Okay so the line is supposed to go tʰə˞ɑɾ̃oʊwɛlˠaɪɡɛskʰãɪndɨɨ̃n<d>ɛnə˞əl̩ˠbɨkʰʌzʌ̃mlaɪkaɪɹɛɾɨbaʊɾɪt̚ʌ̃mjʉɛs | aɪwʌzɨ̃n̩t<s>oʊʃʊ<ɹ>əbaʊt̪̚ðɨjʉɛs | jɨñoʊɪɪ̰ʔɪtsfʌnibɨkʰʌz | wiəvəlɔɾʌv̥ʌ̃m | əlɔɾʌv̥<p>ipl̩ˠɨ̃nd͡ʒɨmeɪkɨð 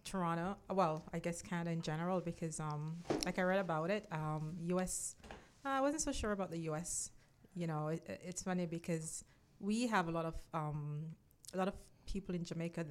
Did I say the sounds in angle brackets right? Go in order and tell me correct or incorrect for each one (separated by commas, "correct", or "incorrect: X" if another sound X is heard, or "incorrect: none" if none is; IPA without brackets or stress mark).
incorrect: d͡ʒ, correct, correct, incorrect: pʰ